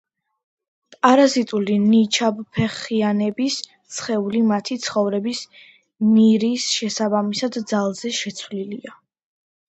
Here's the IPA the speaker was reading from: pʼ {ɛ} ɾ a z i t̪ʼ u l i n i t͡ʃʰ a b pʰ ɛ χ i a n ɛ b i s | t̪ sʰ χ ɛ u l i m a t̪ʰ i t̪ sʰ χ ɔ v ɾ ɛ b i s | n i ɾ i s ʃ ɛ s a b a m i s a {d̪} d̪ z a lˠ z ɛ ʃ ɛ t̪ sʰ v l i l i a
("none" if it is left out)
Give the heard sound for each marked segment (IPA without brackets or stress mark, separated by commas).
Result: a, d̪